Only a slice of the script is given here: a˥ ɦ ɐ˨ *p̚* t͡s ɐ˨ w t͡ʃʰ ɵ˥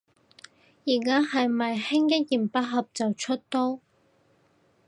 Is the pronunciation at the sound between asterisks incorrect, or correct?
correct